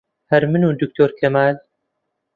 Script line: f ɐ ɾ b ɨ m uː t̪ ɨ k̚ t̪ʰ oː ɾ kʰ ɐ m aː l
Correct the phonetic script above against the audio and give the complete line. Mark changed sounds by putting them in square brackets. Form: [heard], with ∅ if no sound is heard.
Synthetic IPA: [h] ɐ ɾ [m] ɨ [n] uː [d̪] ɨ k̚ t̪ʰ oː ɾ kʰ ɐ m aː l